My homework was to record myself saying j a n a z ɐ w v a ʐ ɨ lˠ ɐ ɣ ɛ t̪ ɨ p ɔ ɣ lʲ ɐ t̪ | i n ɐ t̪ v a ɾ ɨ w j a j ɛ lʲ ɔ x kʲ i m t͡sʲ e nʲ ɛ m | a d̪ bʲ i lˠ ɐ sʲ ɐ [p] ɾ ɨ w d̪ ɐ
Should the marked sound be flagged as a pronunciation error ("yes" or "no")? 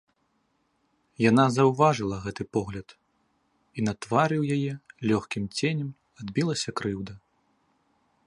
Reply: yes